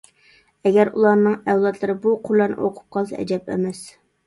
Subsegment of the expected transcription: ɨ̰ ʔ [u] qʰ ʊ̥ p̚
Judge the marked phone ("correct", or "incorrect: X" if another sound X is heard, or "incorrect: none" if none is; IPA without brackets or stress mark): incorrect: o